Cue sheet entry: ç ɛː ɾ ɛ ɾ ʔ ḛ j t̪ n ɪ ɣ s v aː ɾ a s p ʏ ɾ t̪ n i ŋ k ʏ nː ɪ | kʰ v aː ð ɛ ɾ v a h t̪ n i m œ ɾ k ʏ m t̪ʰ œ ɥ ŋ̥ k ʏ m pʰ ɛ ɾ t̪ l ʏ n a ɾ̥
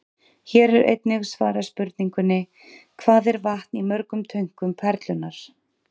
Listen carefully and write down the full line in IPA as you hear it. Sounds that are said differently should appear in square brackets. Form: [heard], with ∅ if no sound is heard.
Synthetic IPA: ç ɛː ɾ ɛ ɾ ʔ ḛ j t̪ n ɪ ɣ s v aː ɾ a s p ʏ ɾ t̪ n i ŋ k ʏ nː ɪ | kʰ v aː ð ɛ ɾ v a h t̪ n i m œ ɾ k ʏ m t̪ʰ œ ɥ ŋ̥ k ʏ m pʰ ɛ ɾ t̪ l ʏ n a ɾ̥